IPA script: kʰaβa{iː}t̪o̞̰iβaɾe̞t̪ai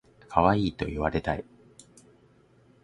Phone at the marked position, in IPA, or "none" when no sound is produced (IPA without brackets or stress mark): iː